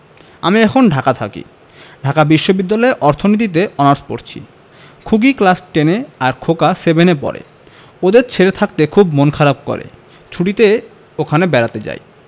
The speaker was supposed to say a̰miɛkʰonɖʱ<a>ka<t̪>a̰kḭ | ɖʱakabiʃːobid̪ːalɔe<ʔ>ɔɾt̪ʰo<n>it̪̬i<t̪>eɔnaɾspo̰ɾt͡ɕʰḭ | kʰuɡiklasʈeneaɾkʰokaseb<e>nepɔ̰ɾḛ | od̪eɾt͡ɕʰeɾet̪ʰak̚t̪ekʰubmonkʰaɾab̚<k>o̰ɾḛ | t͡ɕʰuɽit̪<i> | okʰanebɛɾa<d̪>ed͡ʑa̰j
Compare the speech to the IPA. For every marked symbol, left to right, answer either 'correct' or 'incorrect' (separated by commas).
correct, incorrect, correct, correct, correct, correct, correct, incorrect, incorrect